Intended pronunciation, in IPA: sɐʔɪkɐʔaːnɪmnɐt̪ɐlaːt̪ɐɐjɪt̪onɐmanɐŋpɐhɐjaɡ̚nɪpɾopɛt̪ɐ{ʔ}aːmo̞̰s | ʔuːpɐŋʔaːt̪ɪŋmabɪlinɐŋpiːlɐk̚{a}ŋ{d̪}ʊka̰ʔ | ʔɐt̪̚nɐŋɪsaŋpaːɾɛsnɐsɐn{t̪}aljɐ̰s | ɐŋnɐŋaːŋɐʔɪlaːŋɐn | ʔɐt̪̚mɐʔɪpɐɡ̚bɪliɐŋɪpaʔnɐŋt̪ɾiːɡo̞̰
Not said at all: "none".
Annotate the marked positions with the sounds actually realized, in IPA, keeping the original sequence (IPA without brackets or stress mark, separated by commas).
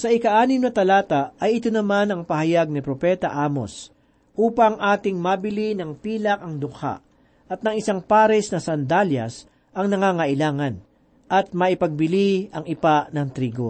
ʔ, ɐ, d̪, d̪